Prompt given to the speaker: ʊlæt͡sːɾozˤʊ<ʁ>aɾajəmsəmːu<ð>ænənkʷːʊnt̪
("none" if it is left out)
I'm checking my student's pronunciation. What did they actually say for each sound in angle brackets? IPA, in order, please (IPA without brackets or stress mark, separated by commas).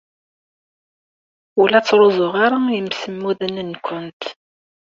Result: ʁ, ð